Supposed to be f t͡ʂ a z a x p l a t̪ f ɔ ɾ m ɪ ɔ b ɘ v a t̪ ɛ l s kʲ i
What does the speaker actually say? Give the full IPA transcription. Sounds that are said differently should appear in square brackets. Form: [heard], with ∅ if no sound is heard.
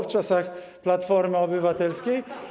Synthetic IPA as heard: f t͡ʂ a [s] a x p l a t̪ f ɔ ɾ m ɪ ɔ b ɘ v a t̪ ɛ l s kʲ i